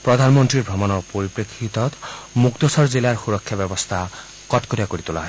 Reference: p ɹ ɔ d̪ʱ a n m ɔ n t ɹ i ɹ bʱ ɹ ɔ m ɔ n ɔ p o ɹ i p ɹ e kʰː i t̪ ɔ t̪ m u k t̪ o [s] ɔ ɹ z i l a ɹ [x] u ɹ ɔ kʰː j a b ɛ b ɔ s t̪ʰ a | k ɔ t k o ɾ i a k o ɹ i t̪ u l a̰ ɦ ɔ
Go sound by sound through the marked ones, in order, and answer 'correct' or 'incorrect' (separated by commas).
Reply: correct, correct